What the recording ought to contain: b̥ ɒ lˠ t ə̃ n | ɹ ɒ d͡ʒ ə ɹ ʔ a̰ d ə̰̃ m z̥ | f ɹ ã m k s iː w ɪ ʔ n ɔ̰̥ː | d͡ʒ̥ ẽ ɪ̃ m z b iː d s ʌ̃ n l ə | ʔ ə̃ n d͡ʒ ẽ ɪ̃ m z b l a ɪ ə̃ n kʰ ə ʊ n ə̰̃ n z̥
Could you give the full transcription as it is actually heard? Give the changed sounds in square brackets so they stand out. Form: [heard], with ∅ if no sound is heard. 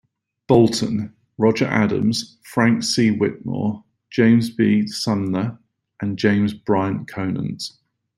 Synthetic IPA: b̥ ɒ lˠ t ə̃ n | ɹ ɒ d͡ʒ ə ɹ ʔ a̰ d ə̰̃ m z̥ | f ɹ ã [ŋ] k s iː w ɪ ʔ n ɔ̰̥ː | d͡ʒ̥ ẽ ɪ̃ m z b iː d s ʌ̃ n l ə | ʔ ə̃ n d͡ʒ ẽ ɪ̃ m z b [ɹ] a ɪ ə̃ n kʰ ə ʊ n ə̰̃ n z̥